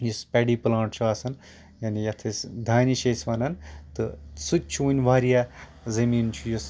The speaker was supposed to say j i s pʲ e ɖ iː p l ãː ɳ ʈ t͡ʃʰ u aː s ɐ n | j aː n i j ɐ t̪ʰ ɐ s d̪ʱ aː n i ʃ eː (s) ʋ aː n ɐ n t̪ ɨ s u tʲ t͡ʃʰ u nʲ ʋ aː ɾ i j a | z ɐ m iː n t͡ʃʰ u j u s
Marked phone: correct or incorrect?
correct